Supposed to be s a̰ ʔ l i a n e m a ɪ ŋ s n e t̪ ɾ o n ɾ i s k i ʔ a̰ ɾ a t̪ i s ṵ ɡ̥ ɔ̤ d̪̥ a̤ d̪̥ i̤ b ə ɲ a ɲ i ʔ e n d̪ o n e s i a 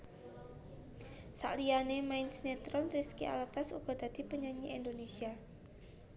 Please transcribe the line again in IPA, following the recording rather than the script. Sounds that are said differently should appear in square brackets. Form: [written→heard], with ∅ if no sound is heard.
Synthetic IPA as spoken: s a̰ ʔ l i a n e m a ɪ [ŋ→n] s n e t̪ ɾ [o→ɔ] n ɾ i s k i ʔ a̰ [ɾ→l] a t̪ [i→a] s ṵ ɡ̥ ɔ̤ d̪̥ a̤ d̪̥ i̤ [b→p] ə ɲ a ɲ i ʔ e n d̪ o n e s i a